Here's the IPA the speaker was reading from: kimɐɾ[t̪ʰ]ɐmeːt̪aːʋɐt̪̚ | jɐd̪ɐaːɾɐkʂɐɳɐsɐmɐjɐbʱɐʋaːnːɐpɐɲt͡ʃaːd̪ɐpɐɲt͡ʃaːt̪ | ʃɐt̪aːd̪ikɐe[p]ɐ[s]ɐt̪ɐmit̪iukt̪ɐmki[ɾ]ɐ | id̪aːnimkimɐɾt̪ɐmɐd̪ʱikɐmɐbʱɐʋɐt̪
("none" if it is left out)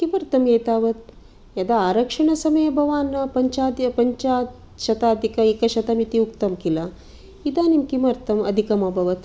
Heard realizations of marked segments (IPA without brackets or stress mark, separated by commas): t̪, k, ʃ, l